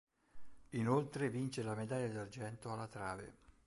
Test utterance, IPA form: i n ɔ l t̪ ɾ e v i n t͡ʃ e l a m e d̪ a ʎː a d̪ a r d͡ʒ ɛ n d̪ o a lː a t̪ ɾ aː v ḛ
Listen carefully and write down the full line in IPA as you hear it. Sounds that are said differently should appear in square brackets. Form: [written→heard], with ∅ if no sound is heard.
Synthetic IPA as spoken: i n [ɔ→o] l t̪ ɾ e v i n t͡ʃ e l a m e d̪ a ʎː a d̪ a r d͡ʒ ɛ n [d̪→t̪] o a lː a t̪ ɾ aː v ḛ